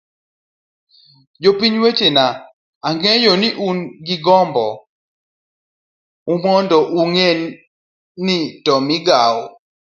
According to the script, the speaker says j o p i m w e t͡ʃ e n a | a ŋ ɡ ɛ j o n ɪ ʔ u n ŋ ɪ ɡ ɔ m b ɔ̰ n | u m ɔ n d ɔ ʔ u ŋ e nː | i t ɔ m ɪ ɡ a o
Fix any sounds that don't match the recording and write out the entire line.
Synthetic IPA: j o p i ɲ w e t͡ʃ e n a | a ŋ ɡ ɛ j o n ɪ ʔ u n ɡ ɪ ɡ ɔ m b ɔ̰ | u m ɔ n d ɔ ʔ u ŋ e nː | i t ɔ m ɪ ɡ a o